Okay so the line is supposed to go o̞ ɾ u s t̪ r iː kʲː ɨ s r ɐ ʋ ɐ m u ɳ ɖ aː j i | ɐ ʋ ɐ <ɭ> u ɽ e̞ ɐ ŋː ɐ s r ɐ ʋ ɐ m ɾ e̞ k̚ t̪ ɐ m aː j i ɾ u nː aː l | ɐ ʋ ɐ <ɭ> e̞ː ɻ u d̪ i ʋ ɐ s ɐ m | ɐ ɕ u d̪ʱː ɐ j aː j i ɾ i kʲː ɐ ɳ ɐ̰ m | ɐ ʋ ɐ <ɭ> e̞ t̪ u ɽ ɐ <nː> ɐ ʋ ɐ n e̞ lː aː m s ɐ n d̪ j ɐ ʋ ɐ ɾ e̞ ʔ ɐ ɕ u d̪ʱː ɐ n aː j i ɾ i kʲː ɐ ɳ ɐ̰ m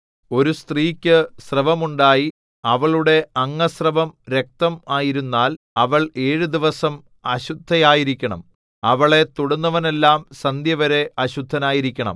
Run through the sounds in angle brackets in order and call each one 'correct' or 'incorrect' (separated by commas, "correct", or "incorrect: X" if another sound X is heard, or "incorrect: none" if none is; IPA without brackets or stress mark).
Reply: correct, correct, correct, correct